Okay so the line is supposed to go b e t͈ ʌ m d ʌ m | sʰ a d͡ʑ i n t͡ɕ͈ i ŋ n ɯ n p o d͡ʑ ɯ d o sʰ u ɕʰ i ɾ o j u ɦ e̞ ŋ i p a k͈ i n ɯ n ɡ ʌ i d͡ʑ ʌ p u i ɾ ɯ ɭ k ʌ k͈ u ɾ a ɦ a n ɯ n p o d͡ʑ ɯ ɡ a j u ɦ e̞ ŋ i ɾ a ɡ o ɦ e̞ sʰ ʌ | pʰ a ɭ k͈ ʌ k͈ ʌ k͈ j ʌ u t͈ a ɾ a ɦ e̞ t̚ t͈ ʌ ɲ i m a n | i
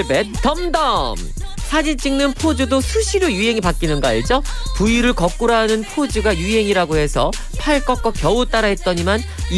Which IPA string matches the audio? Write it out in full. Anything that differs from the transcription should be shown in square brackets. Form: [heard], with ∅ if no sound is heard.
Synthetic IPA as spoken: b e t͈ ʌ m d ʌ m | sʰ a d͡ʑ i n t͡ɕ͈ i ŋ n ɯ n [pʰ] o d͡ʑ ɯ d o sʰ u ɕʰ i ɾ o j u ɦ e̞ ŋ i p a k͈ i n ɯ n ɡ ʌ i d͡ʑ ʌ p u i ɾ ɯ ɭ k ʌ k͈ u ɾ a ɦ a n ɯ n [pʰ] o d͡ʑ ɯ ɡ a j u ɦ e̞ ŋ i ɾ a ɡ o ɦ e̞ sʰ ʌ | pʰ a ɭ k͈ ʌ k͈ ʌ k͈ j ʌ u t͈ a ɾ a ɦ e̞ t̚ t͈ ʌ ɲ i m a n | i